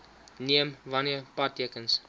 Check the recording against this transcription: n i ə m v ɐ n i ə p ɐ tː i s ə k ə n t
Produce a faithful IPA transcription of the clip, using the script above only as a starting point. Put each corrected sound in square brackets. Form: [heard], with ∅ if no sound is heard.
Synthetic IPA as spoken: n i ə m v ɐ n i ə p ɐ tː i [∅] ə k ə n [s]